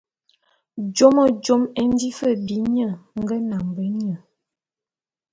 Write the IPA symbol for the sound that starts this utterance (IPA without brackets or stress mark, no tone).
d͡ʒ